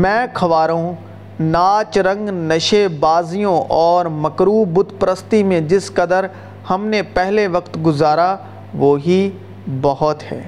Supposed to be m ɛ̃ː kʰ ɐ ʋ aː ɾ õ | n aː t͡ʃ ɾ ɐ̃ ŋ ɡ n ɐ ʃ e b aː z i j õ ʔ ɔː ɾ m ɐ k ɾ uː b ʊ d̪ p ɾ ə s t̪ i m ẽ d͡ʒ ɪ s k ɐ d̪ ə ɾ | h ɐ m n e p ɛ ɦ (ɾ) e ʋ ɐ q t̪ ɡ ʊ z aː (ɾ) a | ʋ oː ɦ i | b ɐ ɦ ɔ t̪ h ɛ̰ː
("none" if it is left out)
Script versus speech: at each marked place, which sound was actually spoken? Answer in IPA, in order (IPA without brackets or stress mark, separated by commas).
l, ɾ